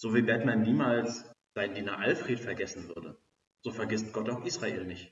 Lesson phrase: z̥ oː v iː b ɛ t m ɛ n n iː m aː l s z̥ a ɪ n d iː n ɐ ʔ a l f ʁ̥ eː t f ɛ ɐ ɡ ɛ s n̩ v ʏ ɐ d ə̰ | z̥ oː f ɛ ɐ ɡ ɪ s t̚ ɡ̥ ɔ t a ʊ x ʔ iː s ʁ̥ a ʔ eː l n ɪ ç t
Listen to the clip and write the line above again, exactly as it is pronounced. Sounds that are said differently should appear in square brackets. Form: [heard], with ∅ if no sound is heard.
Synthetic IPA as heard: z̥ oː v iː b ɛ t m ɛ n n iː m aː l s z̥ a ɪ n d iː n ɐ ʔ a l f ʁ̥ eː t f ɛ ɐ ɡ ɛ s n̩ v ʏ ɐ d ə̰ | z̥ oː f ɛ ɐ ɡ ɪ s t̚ ɡ̥ ɔ t a ʊ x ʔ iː s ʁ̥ a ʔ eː l n ɪ ç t